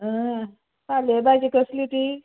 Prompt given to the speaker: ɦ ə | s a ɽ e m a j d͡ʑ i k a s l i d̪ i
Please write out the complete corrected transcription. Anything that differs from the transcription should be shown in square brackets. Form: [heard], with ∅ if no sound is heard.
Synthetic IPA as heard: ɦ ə | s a [l] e [b] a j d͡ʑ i k [ə] s l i [t̪] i